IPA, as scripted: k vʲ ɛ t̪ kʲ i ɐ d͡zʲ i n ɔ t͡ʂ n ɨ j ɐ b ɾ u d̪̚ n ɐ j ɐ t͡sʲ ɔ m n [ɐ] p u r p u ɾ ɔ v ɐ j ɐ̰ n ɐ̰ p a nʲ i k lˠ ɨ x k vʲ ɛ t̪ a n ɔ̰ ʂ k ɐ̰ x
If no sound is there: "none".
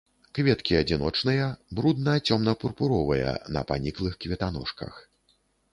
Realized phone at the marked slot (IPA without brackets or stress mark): ɐ